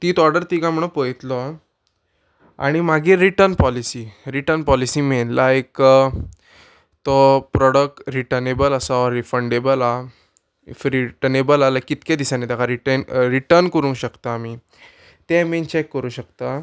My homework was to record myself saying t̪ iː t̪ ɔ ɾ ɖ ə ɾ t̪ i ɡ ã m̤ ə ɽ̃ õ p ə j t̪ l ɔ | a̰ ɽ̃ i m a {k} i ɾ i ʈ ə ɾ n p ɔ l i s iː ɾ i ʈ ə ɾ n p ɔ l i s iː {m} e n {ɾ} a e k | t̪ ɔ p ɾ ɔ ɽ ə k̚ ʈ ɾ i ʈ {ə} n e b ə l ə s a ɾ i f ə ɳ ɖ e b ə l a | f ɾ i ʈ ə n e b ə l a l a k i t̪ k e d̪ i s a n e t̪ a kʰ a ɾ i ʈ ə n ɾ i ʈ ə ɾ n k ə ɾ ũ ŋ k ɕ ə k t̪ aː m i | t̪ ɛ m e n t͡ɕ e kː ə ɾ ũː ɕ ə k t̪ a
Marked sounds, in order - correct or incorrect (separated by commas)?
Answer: incorrect, correct, incorrect, correct